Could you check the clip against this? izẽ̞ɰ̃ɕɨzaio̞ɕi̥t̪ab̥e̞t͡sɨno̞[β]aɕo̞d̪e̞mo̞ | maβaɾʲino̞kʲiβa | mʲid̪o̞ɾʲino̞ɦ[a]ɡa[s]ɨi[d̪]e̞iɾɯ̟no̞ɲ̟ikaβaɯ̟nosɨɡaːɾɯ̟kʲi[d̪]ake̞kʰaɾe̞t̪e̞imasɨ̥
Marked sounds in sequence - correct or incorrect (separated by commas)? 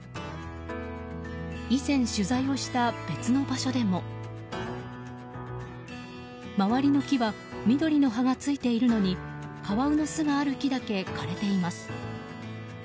incorrect, correct, incorrect, incorrect, correct